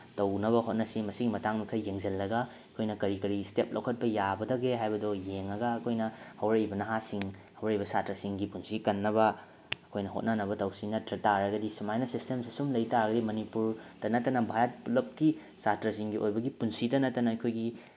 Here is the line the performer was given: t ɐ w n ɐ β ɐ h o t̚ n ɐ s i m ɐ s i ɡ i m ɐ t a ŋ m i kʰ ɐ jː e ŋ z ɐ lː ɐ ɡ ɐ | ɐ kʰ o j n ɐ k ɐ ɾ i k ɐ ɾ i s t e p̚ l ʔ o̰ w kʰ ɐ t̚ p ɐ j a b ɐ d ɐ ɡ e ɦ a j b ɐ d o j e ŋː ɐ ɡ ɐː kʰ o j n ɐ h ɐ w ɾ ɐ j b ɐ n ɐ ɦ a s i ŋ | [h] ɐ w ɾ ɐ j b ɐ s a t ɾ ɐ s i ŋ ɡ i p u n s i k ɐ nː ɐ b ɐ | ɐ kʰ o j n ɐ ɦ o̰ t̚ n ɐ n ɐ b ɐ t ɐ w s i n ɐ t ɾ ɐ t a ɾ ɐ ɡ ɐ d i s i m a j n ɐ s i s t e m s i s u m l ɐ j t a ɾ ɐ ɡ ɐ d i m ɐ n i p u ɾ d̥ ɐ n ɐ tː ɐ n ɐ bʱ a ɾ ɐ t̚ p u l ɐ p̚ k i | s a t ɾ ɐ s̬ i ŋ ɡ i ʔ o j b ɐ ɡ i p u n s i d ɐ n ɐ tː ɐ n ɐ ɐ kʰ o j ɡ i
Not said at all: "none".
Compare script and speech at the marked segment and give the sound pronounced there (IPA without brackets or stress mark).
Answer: h